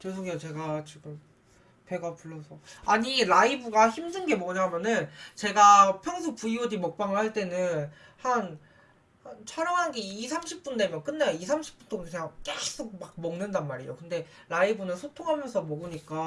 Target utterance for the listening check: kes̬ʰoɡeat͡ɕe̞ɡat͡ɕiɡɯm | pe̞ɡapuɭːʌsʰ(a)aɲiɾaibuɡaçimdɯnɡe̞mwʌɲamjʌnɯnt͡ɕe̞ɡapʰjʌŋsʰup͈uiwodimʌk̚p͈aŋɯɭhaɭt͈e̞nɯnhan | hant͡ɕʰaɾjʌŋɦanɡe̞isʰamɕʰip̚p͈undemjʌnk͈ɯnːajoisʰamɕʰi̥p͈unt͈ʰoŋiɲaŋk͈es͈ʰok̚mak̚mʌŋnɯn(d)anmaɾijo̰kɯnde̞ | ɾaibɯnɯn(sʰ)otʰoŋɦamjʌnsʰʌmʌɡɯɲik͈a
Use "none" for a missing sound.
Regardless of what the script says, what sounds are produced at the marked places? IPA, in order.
ʌ, d, sʰ

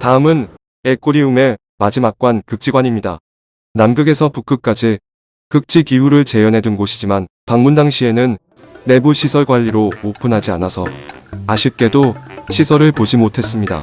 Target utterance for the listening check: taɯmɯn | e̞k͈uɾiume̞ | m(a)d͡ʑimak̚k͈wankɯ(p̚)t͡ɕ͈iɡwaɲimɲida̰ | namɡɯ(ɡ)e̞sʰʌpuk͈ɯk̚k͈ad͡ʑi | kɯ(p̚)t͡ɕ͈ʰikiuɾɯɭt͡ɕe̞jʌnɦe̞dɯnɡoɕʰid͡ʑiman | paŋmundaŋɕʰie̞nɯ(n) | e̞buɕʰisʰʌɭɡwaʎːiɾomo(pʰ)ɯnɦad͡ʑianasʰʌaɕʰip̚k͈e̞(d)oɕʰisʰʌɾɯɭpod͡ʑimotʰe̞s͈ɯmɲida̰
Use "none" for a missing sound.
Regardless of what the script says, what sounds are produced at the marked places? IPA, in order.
a, k̚, ɡ, k̚, nː, pʰ, d

